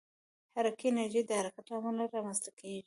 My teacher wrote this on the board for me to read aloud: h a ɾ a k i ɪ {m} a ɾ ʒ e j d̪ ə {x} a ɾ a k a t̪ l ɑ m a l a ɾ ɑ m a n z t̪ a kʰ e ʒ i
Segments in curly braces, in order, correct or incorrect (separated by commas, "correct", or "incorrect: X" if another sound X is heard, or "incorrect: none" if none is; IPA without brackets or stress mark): incorrect: n, incorrect: h